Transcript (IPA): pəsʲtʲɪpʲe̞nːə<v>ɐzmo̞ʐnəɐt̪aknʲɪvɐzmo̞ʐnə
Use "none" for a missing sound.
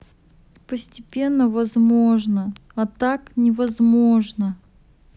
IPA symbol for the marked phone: v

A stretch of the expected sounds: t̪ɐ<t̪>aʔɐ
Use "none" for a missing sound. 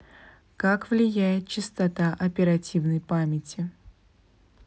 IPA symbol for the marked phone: t̪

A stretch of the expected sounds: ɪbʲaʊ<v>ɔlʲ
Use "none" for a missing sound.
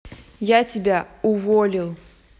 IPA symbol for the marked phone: v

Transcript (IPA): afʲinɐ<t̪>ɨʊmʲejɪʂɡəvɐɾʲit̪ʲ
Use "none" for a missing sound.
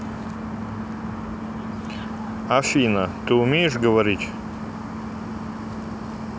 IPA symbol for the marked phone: t̪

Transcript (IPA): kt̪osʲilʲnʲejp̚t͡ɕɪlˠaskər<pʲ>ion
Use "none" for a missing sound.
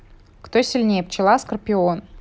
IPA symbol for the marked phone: pʲ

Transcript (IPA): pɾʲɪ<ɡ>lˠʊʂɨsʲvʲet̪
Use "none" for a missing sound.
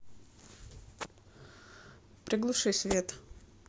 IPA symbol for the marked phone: ɡ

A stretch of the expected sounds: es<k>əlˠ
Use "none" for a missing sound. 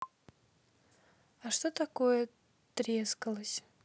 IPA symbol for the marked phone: k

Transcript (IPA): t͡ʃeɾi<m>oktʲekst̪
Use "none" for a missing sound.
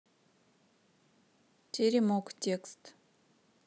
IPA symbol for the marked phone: m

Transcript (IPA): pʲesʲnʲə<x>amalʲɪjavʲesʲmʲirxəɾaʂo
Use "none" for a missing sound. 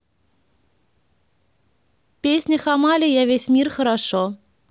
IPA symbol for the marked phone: x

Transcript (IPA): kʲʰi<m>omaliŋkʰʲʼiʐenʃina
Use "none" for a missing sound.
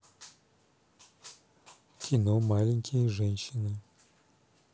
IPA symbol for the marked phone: n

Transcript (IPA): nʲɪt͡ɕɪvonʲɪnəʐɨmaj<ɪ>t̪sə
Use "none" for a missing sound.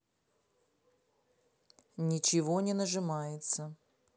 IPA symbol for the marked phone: ɪ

